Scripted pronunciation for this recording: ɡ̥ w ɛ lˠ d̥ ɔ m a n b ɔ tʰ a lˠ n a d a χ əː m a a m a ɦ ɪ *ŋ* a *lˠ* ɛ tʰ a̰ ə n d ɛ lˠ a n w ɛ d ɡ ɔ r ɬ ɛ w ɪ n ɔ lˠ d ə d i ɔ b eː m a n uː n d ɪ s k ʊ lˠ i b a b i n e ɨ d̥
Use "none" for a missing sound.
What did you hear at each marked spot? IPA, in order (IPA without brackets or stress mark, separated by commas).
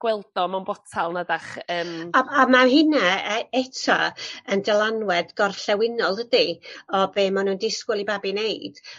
n, none